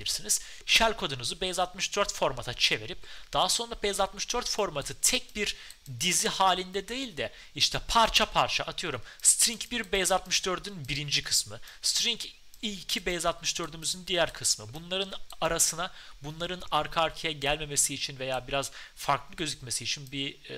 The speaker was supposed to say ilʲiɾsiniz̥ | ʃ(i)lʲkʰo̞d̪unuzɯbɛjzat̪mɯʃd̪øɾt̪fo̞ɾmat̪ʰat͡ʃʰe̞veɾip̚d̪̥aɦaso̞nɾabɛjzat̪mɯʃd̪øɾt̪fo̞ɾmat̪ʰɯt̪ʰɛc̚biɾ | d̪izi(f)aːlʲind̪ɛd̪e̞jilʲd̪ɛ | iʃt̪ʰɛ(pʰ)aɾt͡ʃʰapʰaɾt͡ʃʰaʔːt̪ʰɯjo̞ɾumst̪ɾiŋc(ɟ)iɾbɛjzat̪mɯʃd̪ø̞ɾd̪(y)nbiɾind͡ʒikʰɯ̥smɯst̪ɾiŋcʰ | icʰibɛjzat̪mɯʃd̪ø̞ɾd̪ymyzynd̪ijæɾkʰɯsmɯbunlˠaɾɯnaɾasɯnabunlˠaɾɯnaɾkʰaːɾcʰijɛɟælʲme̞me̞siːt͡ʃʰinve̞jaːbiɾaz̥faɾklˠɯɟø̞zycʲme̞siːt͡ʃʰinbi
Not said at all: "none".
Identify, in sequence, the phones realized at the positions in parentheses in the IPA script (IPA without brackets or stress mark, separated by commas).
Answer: æ, h, pʰ, b, y